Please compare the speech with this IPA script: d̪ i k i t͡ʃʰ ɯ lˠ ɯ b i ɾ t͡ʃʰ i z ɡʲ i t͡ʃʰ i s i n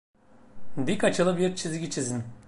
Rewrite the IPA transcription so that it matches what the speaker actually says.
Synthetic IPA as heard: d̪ i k a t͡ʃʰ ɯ lˠ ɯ b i ɾ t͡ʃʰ i z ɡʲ i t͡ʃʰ i z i n